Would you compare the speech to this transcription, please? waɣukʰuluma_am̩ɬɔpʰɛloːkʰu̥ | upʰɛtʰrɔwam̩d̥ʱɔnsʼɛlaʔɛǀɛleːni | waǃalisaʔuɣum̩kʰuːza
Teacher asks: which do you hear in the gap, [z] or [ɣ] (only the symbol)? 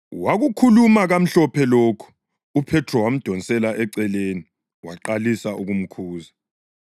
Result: ɣ